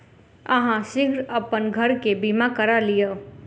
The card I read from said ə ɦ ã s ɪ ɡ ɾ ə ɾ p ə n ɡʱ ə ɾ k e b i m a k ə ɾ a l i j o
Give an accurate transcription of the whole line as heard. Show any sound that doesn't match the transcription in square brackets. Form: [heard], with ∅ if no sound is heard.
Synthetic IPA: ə ɦ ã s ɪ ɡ ɾ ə [∅] p ə n ɡʱ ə ɾ k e b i m a k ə ɾ a l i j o